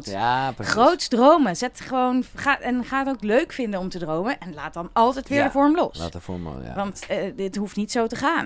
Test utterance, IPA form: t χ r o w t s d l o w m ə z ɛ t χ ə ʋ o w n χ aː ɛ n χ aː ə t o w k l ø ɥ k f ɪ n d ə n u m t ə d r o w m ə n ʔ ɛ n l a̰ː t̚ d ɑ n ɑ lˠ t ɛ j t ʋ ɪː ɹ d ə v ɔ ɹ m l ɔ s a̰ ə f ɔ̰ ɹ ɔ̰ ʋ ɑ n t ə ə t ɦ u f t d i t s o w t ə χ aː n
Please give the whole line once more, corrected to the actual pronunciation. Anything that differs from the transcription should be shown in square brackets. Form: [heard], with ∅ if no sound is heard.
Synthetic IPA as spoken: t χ r o w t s d [r] o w m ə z ɛ t χ ə ʋ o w n χ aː ɛ n χ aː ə t o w k l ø ɥ k f ɪ n d ə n [ɔ] m t ə d r o w m ə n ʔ ɛ n l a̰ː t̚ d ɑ n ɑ lˠ t ɛ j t ʋ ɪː ɹ d ə v ɔ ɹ m l ɔ s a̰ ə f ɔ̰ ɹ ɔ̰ ʋ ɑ n t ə ə t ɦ u f t [n] i t s o w t ə χ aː n